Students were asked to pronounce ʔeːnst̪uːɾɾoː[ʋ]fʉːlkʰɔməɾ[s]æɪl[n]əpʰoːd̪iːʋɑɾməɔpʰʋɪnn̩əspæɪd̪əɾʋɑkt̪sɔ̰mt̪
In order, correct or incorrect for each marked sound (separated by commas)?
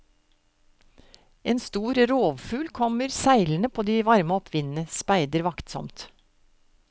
correct, correct, correct